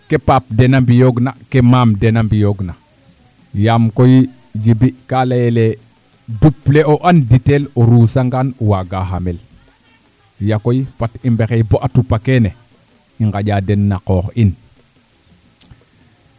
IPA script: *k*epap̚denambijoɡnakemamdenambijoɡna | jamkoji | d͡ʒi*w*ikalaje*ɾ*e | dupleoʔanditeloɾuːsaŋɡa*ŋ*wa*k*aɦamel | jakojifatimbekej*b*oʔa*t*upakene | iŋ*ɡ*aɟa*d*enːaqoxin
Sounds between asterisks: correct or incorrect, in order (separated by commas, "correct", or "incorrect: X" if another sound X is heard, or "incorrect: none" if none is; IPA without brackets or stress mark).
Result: correct, incorrect: b, incorrect: l, incorrect: n, incorrect: ɡ, correct, correct, correct, correct